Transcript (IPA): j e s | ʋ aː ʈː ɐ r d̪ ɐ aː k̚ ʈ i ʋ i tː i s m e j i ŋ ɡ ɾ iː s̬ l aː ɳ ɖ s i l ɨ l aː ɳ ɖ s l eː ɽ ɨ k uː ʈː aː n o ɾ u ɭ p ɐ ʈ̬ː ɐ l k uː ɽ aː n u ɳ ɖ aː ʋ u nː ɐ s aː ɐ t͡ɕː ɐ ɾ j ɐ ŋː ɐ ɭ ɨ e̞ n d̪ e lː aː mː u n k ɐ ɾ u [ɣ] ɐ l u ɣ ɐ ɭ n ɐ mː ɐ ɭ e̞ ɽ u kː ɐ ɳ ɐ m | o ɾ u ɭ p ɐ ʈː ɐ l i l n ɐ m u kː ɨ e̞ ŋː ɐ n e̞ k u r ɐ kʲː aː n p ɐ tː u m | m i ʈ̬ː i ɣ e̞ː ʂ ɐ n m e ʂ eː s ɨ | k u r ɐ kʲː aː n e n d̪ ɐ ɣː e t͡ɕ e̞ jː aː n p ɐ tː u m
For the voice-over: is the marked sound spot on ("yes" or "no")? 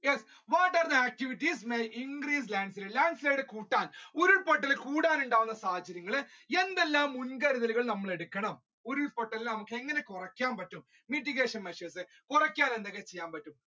no